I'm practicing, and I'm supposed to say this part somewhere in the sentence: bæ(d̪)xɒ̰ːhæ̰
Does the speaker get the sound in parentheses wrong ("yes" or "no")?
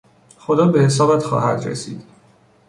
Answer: yes